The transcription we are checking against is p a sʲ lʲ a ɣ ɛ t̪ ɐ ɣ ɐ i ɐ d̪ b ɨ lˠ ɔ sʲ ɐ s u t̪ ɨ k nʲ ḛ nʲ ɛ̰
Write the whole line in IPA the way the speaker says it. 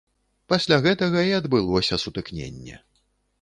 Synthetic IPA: p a sʲ lʲ a ɣ ɛ t̪ ɐ ɣ ɐ i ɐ d̪ b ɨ lˠ ɔ sʲ ɐ s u t̪ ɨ k nʲ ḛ nʲː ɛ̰